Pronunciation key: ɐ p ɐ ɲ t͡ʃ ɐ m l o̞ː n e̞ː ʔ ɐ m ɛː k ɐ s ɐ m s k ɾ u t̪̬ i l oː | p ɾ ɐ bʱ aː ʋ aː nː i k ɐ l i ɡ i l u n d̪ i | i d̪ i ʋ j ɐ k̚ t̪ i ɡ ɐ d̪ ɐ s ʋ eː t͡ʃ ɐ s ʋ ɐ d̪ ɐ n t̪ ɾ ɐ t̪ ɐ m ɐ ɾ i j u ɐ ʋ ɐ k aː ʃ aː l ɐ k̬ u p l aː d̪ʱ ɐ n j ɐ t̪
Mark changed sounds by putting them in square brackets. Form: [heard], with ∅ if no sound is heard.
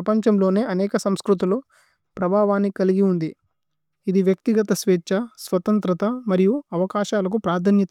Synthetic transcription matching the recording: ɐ p ɐ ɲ t͡ʃ ɐ m l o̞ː n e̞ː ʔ ɐ [n] ɛː k ɐ s ɐ m s k ɾ u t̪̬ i l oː | p ɾ ɐ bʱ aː ʋ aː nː i k ɐ l i ɡ i [∅] u n d̪ i | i d̪ i ʋ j ɐ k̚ t̪ i ɡ ɐ [t̪] ɐ s ʋ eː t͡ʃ ɐ s ʋ ɐ [t̪] ɐ n t̪ ɾ ɐ t̪ ɐ m ɐ ɾ i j u ɐ ʋ ɐ k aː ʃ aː l ɐ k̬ u p [ɾ] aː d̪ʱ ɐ n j ɐ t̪